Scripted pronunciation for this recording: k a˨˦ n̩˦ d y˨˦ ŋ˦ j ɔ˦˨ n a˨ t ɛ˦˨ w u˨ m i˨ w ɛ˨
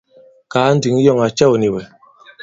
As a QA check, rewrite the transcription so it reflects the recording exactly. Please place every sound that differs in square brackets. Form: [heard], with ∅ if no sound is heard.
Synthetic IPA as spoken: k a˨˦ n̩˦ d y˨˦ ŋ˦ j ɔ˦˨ [ŋ] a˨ [t͡ʃ] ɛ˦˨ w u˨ [n] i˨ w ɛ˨

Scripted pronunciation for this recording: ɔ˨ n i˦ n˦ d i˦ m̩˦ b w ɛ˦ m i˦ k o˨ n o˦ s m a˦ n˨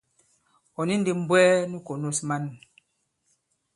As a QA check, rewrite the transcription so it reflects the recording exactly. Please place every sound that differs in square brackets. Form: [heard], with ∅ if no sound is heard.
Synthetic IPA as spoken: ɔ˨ n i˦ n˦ d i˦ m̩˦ b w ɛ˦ [n] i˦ k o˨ n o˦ s m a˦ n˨

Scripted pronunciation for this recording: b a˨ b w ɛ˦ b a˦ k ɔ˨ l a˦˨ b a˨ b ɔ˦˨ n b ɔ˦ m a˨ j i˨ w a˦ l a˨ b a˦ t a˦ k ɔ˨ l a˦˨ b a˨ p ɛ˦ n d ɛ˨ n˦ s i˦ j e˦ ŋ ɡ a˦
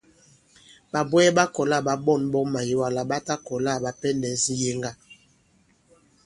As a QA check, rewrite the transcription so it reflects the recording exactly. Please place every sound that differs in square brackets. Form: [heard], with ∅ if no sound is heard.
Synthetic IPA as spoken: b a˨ b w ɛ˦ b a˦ k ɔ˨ l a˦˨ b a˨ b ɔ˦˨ n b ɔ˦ m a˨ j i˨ w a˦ l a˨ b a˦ t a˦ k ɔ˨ l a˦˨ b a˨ p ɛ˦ n d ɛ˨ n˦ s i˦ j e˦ ŋ ɡ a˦

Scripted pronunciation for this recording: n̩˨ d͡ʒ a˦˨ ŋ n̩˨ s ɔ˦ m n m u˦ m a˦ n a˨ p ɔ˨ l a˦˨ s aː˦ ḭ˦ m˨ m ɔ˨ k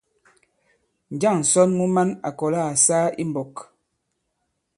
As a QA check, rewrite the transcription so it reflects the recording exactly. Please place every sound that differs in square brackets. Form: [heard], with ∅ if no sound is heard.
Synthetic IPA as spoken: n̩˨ d͡ʒ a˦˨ ŋ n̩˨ s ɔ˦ [∅] n m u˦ m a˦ n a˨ [k] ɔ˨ l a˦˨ s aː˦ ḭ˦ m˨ [b] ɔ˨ k

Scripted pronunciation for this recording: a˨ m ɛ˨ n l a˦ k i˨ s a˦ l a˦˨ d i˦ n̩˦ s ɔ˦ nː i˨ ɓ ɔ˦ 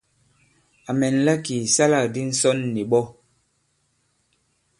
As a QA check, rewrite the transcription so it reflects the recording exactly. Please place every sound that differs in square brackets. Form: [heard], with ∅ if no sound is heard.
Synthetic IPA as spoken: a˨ m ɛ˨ n l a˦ k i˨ s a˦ l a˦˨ d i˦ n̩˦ s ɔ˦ nː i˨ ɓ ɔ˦

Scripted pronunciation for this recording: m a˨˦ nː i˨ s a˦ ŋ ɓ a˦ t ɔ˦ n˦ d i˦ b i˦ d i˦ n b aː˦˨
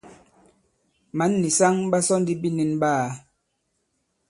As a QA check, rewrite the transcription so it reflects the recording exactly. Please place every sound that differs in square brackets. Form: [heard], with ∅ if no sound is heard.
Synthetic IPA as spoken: m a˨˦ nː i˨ s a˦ ŋ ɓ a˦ [s] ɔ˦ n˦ d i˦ b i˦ [n] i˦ n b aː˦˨

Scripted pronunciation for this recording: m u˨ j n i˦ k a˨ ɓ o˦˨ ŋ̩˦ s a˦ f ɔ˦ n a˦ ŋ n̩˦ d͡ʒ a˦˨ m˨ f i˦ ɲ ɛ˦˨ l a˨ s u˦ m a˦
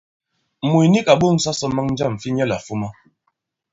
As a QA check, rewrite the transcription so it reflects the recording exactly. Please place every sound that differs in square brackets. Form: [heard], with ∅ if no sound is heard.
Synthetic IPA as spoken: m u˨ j n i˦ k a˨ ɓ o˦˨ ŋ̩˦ s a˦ [s] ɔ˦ [m] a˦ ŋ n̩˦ d͡ʒ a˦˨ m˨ f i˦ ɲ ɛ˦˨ l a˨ [f] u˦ m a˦

